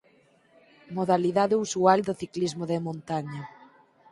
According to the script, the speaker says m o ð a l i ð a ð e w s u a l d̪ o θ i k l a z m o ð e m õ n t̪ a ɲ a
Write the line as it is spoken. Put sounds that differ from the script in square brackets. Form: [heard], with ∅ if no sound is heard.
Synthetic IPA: m o ð a l i ð a ð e [u] s u a l d̪ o θ i k l [i] z m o ð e m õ n t̪ a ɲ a

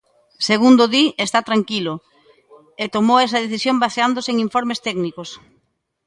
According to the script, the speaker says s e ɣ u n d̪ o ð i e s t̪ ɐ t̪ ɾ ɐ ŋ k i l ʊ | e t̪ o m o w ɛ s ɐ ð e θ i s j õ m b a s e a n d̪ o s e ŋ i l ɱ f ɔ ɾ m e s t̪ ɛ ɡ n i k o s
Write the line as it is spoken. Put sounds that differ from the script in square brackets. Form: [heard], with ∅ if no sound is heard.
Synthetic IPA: s e ɣ u n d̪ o ð i e s t̪ [a] t̪ ɾ [a] ŋ k i l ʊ | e t̪ o m o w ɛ s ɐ ð e θ i s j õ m b a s e a n d̪ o s e ŋ i [∅] ɱ f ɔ ɾ m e s t̪ ɛ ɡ n i k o s

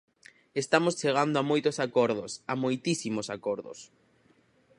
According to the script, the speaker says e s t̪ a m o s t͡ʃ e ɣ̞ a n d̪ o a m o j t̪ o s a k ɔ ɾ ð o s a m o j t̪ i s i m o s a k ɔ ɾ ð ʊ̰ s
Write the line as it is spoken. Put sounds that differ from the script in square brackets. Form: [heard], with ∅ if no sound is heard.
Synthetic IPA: e s t̪ a m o s t͡ʃ e ɣ̞ a n d̪ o a m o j t̪ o s a k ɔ ɾ ð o s a m o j t̪ i s i m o s a k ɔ ɾ ð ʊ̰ s

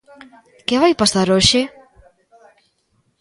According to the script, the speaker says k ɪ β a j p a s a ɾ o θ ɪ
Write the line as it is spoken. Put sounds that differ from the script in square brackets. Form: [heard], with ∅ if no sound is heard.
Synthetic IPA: k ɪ β a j p a s a ɾ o [ʃ] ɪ

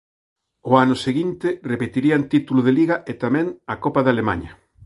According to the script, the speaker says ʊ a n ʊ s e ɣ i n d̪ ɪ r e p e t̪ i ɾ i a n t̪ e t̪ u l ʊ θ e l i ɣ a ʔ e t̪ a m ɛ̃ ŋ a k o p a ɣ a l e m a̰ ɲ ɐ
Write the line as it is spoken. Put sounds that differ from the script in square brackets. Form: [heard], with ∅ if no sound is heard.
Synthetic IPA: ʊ a n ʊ s e ɣ i n [t̪] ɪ r e p e t̪ i ɾ i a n t̪ [i] t̪ u l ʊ [ð] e l i ɣ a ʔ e t̪ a m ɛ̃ ŋ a k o p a [ð] a l e m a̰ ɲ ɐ

